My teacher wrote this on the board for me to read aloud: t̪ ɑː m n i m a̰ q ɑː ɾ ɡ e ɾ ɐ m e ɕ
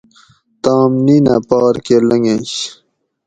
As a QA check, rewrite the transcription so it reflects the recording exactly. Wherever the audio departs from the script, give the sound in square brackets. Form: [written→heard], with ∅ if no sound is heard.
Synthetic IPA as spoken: t̪ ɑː m n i [m→n] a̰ [q→p] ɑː ɾ [ɡ→k] e [ɾ→l] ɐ [m→ŋ] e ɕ